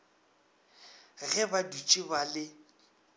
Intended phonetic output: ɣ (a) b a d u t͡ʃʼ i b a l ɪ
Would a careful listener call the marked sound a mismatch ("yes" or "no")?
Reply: yes